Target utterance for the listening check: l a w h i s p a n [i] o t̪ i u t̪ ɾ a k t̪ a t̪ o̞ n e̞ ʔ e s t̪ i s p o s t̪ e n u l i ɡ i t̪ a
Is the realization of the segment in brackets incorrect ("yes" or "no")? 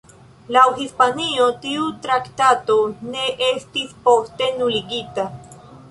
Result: no